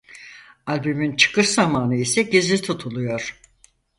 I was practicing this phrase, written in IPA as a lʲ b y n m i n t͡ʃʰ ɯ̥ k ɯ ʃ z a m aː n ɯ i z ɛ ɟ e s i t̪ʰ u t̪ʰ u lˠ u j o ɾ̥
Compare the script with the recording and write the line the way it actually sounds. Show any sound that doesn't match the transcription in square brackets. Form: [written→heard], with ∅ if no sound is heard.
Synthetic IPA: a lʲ b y [n→∅] m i n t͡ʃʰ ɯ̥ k ɯ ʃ z a m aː n ɯ i [z→s] ɛ ɟ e [s→z] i t̪ʰ u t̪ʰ u lˠ u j o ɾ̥